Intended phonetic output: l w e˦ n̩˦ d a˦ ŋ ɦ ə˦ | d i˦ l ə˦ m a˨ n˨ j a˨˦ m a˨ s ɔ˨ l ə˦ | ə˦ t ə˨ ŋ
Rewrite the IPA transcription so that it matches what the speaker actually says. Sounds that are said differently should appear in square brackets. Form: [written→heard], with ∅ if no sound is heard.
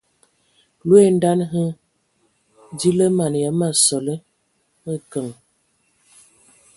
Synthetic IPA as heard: l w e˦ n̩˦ d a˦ [ŋ→n] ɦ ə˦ | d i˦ l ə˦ m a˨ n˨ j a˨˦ m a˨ s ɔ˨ l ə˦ | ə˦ [t→k] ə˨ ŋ